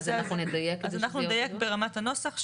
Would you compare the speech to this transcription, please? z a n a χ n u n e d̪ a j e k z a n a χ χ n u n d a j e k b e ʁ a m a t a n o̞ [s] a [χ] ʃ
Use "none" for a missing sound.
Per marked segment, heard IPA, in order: s, χ

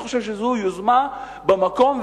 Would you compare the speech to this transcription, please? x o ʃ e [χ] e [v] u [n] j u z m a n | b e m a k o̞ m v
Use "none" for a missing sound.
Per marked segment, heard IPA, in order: ʃ, z, none

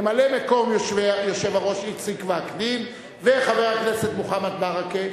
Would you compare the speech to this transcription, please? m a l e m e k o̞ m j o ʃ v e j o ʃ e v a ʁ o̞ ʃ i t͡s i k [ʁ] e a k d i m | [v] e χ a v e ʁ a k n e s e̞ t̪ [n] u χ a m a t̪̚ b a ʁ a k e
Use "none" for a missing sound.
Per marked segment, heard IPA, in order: v, v, m

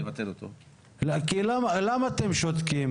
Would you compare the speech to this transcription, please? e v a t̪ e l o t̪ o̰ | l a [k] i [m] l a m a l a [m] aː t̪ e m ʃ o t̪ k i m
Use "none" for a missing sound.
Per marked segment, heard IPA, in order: k, none, m

